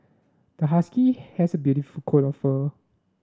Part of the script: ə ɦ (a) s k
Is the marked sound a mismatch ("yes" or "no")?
no